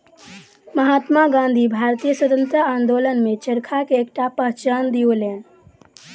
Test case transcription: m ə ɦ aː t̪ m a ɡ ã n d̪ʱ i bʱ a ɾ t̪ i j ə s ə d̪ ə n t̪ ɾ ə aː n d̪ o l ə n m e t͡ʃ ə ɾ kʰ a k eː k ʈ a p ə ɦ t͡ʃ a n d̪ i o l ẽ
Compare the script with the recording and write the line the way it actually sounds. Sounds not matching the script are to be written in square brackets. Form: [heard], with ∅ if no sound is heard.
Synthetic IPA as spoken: m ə ɦ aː t̪ m a ɡ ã n d̪ʱ i bʱ a ɾ t̪ i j ə s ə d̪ ə n t̪ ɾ ə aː n d̪ o l ə n m e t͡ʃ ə ɾ kʰ a k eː k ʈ a p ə ɦ t͡ʃ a n d̪ i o l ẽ